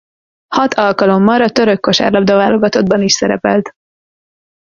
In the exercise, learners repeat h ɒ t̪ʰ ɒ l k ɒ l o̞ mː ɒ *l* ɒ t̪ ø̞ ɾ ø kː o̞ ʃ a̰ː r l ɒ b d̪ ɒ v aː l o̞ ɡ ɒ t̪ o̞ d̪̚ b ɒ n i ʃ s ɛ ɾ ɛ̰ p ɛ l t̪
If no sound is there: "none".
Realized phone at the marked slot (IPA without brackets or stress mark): ɾ